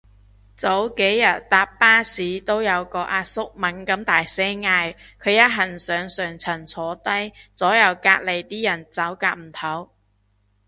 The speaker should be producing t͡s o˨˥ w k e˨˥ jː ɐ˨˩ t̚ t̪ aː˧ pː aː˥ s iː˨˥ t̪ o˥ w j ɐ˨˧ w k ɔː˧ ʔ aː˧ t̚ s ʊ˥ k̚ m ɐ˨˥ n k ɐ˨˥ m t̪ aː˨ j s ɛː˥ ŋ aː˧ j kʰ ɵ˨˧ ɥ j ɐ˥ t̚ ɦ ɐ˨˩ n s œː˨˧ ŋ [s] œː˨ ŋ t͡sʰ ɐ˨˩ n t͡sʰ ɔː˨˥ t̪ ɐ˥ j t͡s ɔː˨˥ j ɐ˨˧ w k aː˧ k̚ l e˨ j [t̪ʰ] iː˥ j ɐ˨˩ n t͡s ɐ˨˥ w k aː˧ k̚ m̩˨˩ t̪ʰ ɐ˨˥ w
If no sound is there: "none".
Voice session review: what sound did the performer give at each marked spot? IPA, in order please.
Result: s, t̪

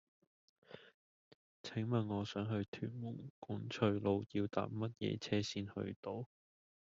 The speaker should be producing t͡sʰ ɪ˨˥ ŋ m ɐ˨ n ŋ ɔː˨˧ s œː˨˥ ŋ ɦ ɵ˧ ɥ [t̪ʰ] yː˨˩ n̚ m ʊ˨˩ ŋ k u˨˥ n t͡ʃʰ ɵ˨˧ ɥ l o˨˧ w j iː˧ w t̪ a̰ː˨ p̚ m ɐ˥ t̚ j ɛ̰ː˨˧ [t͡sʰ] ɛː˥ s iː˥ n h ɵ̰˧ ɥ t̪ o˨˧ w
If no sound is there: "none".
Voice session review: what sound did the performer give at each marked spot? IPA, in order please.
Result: t̪ʰ, t͡sʰ

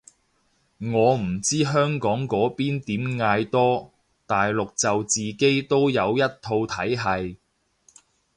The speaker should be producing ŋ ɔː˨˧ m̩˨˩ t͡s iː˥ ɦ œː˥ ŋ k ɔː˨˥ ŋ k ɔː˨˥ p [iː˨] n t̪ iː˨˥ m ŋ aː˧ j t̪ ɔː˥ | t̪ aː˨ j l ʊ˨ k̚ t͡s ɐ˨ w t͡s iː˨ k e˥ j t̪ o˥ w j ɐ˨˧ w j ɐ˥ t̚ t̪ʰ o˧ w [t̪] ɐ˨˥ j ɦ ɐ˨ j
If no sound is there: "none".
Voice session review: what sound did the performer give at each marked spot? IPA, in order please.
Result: iː˥, t̪ʰ

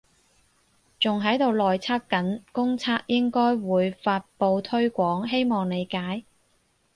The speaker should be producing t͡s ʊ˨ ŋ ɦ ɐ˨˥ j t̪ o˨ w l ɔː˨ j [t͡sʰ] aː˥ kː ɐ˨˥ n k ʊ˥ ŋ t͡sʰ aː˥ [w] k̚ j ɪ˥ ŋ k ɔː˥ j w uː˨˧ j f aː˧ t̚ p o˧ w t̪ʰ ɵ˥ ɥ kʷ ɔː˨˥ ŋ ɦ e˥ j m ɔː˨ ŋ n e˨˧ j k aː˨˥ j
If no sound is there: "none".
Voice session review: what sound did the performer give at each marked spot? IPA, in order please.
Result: t͡sʰ, none

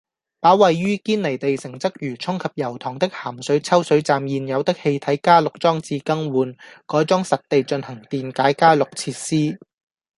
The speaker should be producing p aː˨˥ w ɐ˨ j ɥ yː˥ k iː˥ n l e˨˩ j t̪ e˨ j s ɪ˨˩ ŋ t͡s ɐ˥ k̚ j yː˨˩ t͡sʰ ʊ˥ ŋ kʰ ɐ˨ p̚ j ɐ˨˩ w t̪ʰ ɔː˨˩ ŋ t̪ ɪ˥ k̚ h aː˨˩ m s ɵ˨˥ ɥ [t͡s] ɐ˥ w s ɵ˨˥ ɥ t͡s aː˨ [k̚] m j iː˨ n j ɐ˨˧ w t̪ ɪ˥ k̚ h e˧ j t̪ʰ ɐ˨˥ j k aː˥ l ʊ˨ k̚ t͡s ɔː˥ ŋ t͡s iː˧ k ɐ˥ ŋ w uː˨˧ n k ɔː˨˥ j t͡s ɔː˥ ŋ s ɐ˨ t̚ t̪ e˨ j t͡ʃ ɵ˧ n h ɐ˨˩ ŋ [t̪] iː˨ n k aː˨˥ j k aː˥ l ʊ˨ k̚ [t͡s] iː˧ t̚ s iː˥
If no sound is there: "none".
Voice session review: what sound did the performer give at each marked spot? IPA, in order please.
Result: t͡sʰ, none, t̪, t͡sʰ

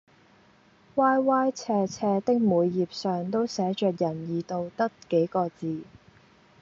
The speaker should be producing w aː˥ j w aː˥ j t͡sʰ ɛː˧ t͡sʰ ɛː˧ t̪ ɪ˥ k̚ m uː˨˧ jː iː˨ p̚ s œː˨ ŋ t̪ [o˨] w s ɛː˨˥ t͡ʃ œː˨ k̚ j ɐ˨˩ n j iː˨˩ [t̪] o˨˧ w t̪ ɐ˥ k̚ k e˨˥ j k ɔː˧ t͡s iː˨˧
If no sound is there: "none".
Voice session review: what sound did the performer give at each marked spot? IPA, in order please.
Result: o˥, t̪

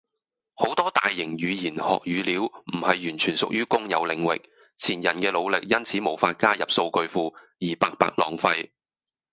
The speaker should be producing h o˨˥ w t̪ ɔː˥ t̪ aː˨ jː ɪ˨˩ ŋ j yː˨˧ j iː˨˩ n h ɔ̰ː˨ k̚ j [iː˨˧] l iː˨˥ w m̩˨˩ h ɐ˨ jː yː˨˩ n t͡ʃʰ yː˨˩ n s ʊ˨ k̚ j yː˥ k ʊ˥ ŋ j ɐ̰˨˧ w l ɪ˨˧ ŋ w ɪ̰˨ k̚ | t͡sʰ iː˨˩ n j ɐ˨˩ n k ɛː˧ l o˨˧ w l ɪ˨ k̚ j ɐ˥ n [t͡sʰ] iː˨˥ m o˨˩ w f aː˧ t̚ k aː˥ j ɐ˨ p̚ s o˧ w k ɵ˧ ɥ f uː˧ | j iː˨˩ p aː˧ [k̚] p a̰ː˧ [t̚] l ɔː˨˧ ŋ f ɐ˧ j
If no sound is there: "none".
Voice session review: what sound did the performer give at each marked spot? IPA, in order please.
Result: yː˨˧, t͡sʰ, k̚, k̚

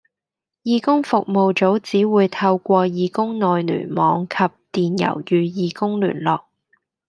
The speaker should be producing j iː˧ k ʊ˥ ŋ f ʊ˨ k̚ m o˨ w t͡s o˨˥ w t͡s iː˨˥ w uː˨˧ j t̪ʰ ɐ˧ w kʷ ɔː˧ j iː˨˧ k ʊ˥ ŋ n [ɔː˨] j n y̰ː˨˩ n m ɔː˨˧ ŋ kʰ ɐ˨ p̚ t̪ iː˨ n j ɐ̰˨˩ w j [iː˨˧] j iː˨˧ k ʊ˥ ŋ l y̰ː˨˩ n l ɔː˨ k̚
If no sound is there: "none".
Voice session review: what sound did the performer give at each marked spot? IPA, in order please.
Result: ɔː˨, yː˨˧

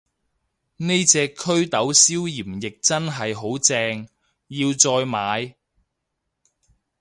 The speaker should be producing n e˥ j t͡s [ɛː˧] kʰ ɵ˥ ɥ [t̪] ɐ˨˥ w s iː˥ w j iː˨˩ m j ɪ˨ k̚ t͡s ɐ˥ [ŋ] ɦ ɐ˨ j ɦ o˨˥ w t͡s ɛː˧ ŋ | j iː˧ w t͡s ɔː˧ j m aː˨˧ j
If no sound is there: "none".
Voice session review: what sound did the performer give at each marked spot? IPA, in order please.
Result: ɛː˧, t̪, n

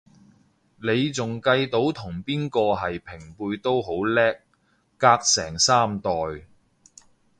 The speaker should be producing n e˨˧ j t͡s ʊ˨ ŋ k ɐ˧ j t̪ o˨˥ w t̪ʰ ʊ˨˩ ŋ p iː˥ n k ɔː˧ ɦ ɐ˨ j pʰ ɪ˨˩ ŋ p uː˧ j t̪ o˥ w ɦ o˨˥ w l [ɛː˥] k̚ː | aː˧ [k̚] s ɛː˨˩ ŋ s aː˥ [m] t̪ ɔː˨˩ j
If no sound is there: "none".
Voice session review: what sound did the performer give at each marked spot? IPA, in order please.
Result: ɛː˥, k̚, m

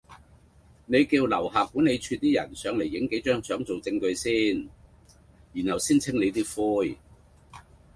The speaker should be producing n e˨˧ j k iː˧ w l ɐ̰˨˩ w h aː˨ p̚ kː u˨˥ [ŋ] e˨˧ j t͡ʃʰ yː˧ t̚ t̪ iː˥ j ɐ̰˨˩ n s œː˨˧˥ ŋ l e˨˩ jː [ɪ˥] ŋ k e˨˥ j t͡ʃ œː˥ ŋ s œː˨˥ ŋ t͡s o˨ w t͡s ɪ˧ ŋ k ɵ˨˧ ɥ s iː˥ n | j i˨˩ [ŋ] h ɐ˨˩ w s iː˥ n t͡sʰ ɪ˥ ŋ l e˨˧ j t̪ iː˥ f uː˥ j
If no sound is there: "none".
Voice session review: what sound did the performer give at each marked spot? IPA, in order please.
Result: n, ɪ˨˥, n

